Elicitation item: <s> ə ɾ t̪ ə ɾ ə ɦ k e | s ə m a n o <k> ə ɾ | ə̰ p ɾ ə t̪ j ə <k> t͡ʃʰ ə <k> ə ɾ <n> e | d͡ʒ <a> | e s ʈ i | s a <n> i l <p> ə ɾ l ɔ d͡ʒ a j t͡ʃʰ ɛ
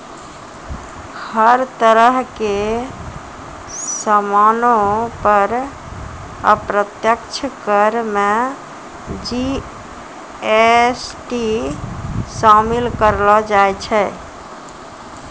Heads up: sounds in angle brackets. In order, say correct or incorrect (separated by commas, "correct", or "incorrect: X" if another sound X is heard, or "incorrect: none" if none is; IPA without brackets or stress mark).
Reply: incorrect: h, incorrect: p, correct, correct, incorrect: m, incorrect: i, incorrect: m, incorrect: k